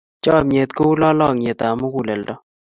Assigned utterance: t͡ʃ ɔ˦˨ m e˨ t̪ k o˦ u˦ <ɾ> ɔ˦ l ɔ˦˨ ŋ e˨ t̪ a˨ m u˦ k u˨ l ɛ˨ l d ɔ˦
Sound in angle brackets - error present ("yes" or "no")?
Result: yes